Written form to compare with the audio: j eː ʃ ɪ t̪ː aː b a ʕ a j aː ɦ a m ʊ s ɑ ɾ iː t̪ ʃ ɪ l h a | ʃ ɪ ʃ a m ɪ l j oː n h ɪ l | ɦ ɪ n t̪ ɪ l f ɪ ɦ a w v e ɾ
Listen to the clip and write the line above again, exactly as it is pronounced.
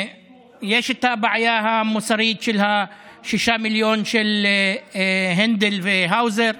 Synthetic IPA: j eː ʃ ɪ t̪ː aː b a ʕ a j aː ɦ a m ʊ s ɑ ɾ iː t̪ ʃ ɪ l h a | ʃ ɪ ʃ a m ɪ l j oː n ʃ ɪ l | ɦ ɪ n d̪ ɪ l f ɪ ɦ a w z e ɾ